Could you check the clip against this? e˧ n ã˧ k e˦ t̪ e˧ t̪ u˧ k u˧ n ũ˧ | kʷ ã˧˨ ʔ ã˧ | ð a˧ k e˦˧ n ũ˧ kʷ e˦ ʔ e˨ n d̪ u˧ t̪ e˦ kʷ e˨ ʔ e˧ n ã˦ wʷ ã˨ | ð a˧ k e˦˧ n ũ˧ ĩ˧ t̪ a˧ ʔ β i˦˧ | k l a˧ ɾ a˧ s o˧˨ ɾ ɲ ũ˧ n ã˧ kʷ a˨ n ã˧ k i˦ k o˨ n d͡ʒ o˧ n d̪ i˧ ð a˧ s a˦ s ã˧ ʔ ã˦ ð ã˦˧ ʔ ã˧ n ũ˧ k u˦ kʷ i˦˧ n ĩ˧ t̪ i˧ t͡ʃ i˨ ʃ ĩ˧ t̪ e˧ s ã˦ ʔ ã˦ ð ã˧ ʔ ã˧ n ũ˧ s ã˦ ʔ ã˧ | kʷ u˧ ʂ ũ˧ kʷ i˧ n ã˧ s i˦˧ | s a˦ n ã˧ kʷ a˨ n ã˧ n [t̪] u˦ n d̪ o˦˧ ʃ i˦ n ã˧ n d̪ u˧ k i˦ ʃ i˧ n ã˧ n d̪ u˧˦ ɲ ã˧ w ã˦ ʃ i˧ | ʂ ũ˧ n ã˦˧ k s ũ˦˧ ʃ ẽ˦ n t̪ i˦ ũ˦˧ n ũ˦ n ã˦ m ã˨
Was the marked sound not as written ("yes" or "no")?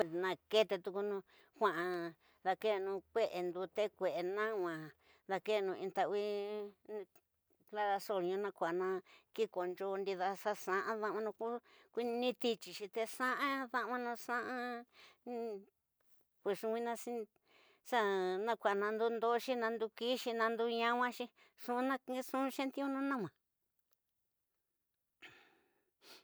yes